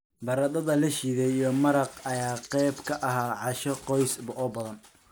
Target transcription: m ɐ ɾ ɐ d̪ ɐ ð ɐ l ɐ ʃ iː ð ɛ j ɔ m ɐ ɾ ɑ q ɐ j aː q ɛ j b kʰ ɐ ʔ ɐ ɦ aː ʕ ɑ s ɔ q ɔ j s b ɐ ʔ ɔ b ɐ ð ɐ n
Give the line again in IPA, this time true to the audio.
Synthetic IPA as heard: b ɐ ɾ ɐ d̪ ɐ ð ɐ l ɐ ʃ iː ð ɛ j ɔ m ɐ ɾ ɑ q ɐ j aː q ɛ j b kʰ ɐ ʔ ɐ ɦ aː ʕ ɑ ʃ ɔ q ɔ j s b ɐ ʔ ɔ b ɐ ð ɐ n